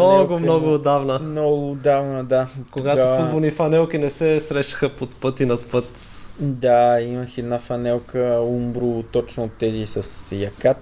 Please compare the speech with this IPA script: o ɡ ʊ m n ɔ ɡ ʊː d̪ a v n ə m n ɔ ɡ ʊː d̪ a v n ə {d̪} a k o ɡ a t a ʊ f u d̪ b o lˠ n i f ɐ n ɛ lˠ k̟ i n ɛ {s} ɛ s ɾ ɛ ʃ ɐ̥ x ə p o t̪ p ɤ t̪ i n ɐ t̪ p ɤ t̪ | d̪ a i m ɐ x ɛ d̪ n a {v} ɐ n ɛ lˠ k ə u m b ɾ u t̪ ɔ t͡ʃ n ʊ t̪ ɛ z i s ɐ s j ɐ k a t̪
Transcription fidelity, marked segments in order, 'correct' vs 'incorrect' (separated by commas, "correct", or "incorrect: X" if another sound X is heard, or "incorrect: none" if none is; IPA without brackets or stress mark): correct, correct, incorrect: f